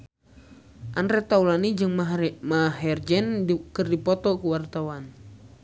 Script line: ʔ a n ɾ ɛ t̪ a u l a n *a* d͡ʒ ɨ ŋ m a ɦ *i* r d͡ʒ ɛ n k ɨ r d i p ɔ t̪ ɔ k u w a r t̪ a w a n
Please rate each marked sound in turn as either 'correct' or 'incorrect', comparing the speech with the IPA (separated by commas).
incorrect, incorrect